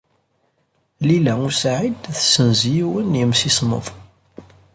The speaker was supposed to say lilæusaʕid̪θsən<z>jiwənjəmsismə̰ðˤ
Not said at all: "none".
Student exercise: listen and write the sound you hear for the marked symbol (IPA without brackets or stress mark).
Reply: z